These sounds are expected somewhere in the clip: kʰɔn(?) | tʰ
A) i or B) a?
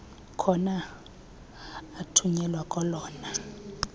B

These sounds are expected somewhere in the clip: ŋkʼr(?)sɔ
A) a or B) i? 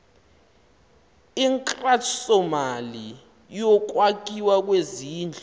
A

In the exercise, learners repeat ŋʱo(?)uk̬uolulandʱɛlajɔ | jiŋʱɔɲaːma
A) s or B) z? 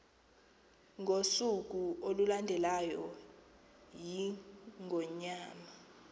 A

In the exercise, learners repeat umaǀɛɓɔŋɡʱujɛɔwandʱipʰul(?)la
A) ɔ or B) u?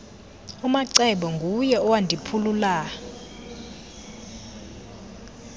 B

